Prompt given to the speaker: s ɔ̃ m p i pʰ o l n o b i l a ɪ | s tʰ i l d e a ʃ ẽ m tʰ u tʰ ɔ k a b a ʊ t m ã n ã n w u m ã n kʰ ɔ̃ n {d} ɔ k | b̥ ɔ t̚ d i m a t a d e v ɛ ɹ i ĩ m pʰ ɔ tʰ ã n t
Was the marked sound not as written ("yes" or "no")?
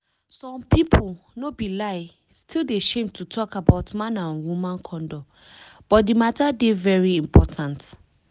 no